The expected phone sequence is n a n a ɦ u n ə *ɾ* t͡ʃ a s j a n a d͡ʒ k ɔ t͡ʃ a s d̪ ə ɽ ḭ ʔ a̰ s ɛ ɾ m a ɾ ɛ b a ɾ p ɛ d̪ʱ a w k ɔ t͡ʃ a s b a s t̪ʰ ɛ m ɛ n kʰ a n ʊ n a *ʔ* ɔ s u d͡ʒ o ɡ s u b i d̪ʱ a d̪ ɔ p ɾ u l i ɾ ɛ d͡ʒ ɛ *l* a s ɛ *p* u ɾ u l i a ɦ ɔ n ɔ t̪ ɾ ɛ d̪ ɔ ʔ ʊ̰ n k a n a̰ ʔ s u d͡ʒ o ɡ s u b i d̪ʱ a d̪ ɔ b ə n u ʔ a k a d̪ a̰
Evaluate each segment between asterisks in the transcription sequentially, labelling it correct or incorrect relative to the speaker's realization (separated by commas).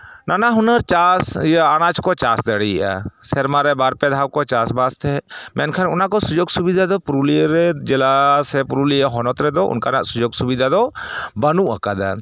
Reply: correct, incorrect, correct, correct